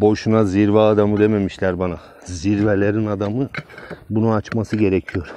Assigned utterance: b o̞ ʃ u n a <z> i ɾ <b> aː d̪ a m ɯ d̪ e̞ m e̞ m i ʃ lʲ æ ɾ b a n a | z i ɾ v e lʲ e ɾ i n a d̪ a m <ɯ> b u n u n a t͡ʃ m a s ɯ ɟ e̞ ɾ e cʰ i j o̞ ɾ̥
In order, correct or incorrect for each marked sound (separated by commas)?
correct, incorrect, correct